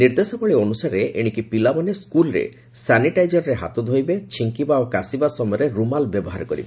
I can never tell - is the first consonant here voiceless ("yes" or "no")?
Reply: no